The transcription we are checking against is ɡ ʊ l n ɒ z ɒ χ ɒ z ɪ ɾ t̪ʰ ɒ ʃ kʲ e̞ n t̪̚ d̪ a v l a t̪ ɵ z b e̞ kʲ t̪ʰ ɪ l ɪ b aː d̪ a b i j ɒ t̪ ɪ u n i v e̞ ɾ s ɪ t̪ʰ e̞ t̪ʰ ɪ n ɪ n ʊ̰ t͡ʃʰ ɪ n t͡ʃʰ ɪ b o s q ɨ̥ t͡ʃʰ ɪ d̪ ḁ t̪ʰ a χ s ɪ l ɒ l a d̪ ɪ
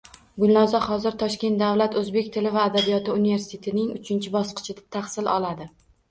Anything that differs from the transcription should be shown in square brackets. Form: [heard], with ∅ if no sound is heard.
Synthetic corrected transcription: ɡ ʊ l n ɒ z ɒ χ ɒ z ɪ ɾ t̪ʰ ɒ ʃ kʲ e̞ n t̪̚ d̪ a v l a t̪ ɵ z b e̞ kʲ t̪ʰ ɪ l ɪ [v] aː d̪ a b i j ɒ t̪ ɪ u n i v e̞ ɾ s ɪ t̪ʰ e̞ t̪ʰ ɪ n ɪ [ŋ] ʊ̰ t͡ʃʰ ɪ n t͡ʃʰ ɪ b [ɒ] s q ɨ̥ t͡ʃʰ ɪ d̪ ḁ t̪ʰ a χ s ɪ l ɒ l a d̪ ɪ